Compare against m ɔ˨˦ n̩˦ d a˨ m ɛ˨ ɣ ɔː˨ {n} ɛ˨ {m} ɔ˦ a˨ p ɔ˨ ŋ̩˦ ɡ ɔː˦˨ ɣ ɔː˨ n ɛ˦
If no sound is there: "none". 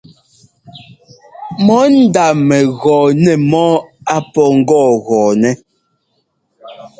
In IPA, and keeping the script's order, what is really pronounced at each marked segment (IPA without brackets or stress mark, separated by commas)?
n, m